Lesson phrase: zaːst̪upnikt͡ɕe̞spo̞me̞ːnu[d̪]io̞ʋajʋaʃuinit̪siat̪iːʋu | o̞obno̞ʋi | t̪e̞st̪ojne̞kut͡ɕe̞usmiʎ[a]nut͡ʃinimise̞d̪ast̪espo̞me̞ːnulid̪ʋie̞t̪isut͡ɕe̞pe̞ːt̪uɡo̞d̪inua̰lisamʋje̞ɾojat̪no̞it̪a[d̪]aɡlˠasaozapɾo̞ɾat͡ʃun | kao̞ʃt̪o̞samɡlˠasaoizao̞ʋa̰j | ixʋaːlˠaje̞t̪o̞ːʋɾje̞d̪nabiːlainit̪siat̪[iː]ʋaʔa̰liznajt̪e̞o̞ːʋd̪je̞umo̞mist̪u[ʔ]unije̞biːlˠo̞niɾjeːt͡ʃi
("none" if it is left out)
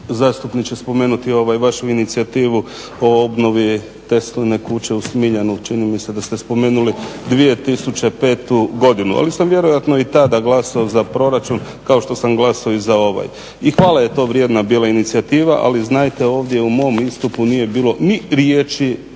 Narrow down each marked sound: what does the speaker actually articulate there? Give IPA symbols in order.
t̪, a, d̪, iː, p

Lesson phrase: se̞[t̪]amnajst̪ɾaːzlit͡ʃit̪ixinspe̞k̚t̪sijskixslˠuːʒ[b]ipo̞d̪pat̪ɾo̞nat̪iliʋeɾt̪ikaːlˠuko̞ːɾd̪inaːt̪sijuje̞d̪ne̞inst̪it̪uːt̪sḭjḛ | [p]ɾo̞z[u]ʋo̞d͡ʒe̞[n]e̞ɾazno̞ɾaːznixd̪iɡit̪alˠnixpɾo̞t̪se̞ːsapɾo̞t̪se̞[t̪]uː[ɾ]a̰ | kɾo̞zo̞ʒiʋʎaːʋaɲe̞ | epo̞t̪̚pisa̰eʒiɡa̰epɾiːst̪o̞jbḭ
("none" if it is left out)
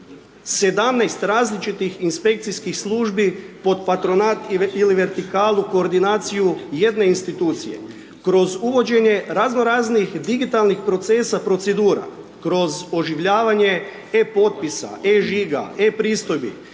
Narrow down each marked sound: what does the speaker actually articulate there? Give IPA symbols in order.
d̪, b, k, u, ɲ, d̪, ɾ

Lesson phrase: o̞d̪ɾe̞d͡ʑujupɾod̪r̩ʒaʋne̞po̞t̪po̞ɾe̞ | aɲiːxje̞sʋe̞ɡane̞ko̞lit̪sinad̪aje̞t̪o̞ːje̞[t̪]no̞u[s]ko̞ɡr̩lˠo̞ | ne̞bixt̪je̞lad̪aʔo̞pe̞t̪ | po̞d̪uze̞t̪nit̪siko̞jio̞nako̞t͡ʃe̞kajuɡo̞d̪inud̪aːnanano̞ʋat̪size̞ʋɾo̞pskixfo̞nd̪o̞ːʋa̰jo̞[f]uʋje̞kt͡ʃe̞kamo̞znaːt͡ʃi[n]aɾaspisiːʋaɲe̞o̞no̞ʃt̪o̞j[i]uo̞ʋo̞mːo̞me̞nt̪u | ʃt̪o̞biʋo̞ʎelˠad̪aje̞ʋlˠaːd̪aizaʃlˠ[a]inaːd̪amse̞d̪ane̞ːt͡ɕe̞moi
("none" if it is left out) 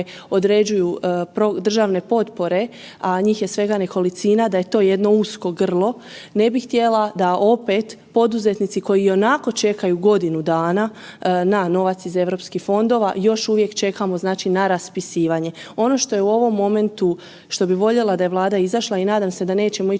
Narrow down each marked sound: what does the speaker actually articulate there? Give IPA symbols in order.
d̪, s, ʃ, n, e, a

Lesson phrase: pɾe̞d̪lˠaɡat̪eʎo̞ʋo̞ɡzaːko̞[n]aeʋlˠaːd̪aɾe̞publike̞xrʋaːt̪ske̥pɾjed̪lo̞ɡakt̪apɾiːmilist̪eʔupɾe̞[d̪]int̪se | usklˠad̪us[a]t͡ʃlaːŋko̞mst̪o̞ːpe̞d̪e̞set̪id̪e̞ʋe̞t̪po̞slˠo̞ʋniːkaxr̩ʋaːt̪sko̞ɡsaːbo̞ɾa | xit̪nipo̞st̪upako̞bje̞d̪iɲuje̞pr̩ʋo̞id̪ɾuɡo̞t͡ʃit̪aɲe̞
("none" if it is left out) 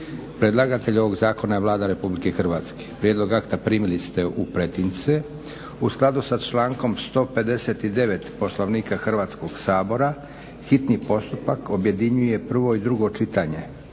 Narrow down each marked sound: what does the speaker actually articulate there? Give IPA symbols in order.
n, t̪, a

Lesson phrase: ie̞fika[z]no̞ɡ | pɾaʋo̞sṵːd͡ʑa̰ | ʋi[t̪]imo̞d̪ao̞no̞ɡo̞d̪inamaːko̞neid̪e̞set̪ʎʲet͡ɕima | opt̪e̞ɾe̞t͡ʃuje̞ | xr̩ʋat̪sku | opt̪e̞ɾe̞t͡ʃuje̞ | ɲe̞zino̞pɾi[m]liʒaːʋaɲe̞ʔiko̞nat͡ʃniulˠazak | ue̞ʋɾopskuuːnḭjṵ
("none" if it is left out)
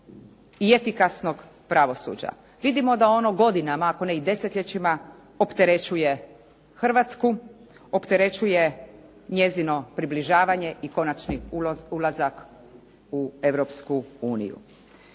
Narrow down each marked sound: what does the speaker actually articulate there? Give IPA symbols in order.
s, d̪, b

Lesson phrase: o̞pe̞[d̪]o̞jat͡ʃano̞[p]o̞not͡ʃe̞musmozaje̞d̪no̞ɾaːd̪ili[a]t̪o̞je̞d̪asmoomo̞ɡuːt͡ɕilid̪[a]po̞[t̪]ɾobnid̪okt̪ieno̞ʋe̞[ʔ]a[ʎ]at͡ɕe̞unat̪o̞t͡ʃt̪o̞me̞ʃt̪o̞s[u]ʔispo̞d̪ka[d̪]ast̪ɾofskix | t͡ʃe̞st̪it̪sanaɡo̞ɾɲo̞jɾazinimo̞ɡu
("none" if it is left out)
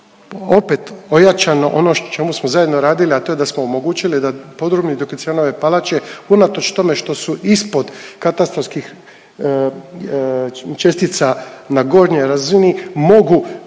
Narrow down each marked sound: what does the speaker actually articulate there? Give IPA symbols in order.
t̪, ʔ, a, a, d̪, p, l, u, t̪

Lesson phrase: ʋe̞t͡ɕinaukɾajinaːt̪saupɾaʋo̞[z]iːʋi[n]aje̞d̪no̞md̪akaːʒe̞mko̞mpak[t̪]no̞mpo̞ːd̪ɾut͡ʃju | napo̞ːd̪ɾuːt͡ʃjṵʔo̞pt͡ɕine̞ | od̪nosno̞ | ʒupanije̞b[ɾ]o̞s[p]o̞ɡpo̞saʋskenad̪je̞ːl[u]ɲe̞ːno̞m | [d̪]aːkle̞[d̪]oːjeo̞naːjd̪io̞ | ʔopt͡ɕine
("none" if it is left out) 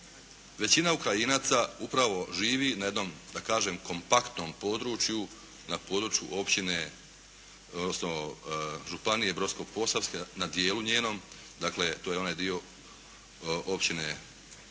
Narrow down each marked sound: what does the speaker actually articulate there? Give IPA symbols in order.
ʒ, n, t̪, ɾ, k, u, d̪, t̪

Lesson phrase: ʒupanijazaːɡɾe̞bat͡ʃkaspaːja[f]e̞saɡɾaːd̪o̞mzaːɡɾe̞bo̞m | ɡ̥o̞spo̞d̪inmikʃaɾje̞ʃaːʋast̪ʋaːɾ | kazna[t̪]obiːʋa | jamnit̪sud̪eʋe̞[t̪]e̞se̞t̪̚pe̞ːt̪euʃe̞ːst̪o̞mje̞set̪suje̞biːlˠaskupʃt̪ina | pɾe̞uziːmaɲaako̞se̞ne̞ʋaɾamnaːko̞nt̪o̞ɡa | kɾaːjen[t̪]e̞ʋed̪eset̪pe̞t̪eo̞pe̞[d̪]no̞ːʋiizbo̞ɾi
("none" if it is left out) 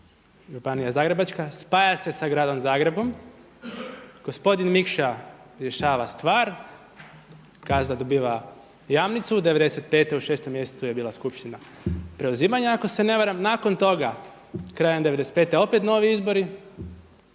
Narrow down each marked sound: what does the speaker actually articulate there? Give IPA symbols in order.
s, d̪, d̪, d̪, t̪

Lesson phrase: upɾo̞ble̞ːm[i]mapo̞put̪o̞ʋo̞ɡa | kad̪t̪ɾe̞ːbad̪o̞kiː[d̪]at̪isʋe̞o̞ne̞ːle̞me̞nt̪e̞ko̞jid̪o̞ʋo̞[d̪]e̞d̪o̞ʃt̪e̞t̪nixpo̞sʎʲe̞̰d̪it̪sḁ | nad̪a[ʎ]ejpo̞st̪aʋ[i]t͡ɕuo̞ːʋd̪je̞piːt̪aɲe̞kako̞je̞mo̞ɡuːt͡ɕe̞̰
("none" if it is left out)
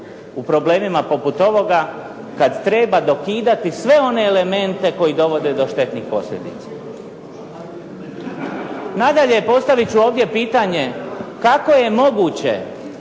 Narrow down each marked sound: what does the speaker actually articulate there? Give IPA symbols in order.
i, d̪, d̪, ʎ, i

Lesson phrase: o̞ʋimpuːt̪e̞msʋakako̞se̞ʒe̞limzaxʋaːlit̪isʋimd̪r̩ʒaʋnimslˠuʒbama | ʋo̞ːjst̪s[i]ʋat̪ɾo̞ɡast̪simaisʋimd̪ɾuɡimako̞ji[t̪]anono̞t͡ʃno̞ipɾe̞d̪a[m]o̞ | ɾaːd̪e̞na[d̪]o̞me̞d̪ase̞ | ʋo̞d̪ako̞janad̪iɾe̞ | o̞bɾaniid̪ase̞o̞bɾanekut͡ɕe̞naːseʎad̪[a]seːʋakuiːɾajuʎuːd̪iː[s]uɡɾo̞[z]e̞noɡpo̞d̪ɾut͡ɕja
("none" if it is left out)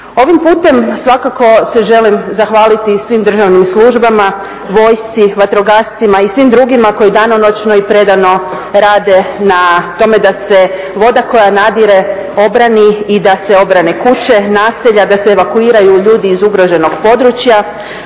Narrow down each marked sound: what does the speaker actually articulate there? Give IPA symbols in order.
i, d̪, n, t̪, a, z, ʒ

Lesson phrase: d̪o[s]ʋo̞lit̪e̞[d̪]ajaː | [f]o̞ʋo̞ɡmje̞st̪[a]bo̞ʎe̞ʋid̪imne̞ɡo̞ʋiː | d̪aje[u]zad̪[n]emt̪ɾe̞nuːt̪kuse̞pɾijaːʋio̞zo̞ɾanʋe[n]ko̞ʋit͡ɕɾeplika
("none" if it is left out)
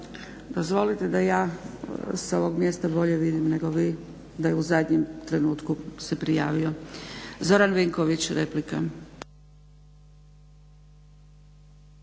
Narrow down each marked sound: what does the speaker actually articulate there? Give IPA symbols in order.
z, d̪, s, a, u, ɲ, ŋ

